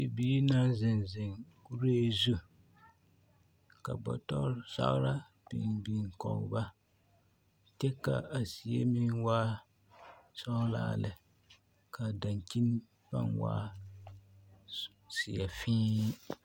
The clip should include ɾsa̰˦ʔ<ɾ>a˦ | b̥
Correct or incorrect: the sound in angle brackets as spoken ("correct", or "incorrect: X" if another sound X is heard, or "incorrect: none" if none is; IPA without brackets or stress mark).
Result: correct